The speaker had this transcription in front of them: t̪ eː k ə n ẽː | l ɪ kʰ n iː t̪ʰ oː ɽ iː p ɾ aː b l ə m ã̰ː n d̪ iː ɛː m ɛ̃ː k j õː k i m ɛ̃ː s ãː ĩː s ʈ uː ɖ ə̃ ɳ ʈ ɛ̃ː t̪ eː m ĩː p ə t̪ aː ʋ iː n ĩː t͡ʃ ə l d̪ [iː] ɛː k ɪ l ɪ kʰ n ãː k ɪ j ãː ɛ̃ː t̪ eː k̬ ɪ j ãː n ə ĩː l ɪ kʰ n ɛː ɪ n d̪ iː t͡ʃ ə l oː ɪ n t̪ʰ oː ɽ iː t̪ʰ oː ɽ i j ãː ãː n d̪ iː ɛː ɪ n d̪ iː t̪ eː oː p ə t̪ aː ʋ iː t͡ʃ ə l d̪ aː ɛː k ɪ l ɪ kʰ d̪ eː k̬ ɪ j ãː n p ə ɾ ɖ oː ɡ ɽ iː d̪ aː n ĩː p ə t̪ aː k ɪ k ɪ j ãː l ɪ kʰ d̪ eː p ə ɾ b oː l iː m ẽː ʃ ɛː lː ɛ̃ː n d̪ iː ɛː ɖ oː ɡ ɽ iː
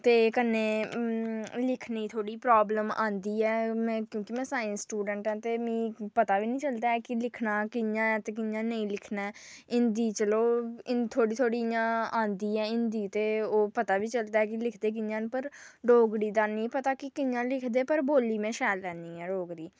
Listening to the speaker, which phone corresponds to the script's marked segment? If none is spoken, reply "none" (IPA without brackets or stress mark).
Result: aː